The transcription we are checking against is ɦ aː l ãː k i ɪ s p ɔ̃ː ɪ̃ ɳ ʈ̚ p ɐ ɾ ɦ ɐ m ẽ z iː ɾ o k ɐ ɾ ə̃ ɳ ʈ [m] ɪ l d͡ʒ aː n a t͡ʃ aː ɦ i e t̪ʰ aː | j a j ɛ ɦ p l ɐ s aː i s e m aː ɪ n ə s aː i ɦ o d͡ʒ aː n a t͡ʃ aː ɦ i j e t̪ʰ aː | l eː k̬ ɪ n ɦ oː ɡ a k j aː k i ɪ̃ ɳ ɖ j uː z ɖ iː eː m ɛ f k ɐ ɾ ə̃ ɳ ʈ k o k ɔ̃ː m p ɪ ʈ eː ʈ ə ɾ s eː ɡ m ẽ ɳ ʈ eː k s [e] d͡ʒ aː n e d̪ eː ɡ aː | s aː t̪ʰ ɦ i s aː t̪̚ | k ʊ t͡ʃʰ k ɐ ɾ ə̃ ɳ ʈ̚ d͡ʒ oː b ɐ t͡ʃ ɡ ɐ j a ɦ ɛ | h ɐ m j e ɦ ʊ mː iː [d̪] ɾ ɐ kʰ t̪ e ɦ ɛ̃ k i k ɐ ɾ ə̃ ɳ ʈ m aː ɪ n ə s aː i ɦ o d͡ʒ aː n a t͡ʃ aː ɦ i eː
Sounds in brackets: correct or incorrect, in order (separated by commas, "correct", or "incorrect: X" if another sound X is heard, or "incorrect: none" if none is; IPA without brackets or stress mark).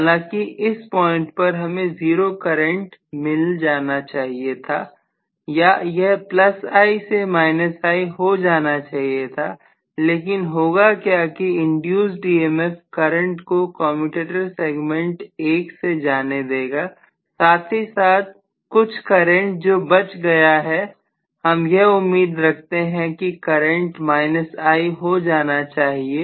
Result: correct, correct, correct